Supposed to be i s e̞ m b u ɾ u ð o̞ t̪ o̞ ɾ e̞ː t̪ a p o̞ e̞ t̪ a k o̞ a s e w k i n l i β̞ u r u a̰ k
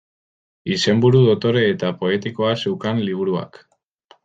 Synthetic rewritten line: i s e̞ m b u ɾ u ð o̞ t̪ o̞ ɾ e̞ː t̪ a p o̞ e̞ t̪ i k o̞ a s e w k a n l i β̞ u ɾ u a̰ k